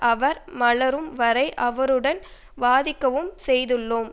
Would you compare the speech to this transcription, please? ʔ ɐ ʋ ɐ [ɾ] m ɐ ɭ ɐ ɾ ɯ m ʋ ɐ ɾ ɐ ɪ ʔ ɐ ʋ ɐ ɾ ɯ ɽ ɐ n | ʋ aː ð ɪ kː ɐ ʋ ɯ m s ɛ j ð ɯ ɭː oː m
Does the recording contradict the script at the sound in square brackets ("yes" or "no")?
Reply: no